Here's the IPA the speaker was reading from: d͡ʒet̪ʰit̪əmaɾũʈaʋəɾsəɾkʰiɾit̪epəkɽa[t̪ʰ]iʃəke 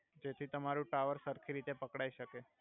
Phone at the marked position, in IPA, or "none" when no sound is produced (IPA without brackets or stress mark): none